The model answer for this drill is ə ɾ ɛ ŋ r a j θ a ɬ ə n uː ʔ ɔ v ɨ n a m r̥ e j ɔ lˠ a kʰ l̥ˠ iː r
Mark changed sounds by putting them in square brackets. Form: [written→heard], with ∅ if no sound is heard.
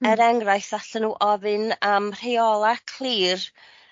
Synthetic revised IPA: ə ɾ ɛ ŋ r a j θ a ɬ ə n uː ʔ ɔ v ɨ n a m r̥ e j ɔ lˠ a kʰ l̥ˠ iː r

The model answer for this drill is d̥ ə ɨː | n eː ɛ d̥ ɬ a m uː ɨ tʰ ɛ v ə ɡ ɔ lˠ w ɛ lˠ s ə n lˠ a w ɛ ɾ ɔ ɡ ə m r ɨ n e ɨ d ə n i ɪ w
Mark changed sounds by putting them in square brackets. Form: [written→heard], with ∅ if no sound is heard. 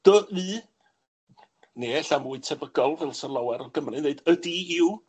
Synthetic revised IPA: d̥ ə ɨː | n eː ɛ [d̥→∅] ɬ a m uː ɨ tʰ ɛ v ə ɡ ɔ lˠ [w→v] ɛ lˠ s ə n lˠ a w ɛ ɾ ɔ ɡ ə m r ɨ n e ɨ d ə [n→d] i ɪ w

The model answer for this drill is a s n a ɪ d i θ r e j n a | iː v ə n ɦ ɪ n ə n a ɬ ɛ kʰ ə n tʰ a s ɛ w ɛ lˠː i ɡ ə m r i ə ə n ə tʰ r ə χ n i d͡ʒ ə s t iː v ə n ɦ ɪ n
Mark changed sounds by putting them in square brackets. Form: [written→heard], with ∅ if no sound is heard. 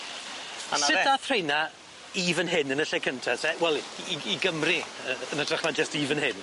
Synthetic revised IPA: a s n a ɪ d [i→a] θ r e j n a | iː v ə n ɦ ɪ n ə n [a→ə] ɬ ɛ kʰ ə n tʰ a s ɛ w ɛ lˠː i ɡ ə m r i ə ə n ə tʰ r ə χ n [i→a] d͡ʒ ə s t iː v ə n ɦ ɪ n

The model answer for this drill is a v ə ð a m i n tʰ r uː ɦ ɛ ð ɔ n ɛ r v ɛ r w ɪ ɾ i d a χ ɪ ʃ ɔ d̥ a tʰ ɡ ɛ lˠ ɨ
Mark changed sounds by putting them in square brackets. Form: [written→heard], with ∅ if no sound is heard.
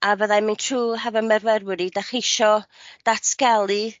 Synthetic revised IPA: a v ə ð a m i n tʰ r uː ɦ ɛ [ð→v] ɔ [n→m] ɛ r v ɛ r w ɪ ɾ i d a χ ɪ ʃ ɔ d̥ a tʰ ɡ ɛ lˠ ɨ

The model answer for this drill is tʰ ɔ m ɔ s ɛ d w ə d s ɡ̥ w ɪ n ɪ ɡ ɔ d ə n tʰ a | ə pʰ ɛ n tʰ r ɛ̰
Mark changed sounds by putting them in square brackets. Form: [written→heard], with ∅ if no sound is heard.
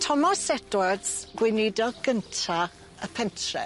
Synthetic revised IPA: tʰ ɔ m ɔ s ɛ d w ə d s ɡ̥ w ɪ n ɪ [ɡ→d] ɔ [d→ɡ] ə n tʰ a | ə pʰ ɛ n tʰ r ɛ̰

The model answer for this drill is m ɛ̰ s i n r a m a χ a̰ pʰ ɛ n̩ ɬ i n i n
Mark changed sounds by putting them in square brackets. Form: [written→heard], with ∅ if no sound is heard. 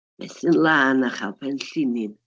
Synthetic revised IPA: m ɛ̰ s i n [r→l] a [m→n] a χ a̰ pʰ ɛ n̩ ɬ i n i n

